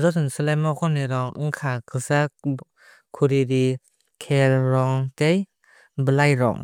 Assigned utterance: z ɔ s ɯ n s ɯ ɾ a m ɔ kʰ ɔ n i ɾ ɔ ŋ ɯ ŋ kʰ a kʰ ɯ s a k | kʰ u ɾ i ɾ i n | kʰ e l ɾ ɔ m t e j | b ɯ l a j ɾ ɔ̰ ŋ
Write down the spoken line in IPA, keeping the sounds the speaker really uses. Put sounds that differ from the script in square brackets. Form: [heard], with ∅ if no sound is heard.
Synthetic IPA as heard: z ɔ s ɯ n s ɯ [l] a m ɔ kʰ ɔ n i ɾ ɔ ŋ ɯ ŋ kʰ a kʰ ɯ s a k | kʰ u ɾ i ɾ i [∅] | kʰ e l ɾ ɔ [ŋ] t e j | b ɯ l a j ɾ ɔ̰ ŋ